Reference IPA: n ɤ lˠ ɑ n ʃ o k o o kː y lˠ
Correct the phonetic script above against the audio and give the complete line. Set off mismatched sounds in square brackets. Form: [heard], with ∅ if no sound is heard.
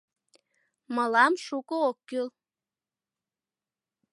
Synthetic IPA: [m] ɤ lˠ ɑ [m] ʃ [u] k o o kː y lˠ